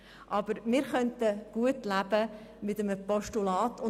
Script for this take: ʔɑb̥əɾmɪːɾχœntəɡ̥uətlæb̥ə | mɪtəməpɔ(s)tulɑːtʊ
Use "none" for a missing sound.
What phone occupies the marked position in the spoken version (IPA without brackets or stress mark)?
ʃ